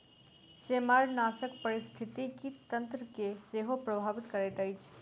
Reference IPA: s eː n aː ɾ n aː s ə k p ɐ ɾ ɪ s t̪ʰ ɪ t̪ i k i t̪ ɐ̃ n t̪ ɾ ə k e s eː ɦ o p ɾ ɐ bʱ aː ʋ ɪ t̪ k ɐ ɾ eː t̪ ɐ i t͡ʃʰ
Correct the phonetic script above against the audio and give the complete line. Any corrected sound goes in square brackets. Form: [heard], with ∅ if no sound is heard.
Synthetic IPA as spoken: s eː [m] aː ɾ n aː s ə k p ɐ ɾ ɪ s t̪ʰ ɪ t̪ i k i t̪ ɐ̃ n t̪ ɾ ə k e s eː ɦ o p ɾ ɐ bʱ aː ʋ ɪ t̪ k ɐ ɾ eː t̪ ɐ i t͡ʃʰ